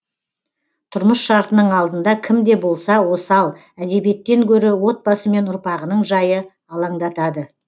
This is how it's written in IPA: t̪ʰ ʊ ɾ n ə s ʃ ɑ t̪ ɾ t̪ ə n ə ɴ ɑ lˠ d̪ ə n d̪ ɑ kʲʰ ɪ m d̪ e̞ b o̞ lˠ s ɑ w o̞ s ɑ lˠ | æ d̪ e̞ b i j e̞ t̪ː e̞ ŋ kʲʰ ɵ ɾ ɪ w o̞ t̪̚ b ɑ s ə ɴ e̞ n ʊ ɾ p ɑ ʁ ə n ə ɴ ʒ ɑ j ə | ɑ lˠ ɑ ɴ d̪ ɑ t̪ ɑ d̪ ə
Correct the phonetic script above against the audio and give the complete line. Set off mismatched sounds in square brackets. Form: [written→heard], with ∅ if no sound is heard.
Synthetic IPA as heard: t̪ʰ ʊ ɾ [n→m] ə s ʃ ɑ [t̪→∅] ɾ t̪ ə n ə ɴ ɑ lˠ d̪ ə n d̪ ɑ kʲʰ ɪ m d̪ e̞ b o̞ lˠ s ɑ w o̞ s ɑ lˠ | æ d̪ e̞ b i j e̞ t̪ː e̞ ŋ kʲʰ ɵ ɾ ɪ w o̞ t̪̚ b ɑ s ə [ɴ→m] e̞ n ʊ ɾ p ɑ ʁ ə n ə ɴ ʒ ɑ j ə | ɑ lˠ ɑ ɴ d̪ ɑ t̪ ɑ d̪ ə